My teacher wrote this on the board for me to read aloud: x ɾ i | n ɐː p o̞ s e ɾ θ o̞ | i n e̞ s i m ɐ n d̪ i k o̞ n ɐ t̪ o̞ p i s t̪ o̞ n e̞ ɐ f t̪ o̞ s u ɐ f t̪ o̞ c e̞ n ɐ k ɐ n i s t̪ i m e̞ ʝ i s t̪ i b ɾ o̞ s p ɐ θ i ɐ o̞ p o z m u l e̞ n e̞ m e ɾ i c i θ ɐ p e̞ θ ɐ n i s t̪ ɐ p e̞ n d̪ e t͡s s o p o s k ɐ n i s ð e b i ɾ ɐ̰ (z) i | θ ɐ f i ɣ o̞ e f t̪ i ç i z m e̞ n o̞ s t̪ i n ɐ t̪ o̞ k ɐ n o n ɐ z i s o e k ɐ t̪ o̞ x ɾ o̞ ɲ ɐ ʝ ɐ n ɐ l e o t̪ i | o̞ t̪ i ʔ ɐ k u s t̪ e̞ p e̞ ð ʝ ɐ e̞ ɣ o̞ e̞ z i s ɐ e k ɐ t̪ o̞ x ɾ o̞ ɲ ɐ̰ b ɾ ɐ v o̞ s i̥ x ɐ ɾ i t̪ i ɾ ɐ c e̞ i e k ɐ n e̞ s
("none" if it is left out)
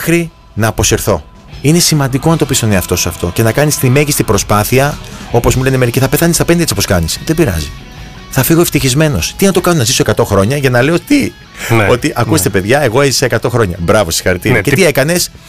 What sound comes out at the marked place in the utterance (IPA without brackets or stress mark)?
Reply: z